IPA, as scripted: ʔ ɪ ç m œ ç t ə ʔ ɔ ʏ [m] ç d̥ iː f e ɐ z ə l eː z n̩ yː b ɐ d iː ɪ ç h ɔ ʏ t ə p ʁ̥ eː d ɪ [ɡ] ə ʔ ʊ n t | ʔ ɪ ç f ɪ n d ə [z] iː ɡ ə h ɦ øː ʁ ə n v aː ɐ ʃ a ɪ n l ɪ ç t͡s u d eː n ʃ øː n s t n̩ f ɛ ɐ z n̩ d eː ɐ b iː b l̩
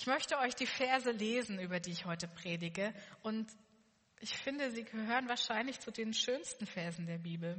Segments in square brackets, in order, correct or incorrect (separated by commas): incorrect, correct, correct